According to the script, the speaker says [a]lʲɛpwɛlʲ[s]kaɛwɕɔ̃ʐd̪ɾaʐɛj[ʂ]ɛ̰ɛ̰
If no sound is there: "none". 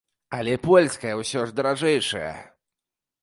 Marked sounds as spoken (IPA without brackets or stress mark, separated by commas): a, s, ʂ